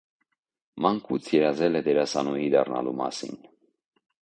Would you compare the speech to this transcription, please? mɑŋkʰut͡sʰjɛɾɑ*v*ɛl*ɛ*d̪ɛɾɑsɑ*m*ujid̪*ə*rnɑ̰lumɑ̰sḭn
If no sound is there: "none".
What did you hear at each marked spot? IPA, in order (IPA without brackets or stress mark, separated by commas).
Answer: z, ɛ, n, ɑ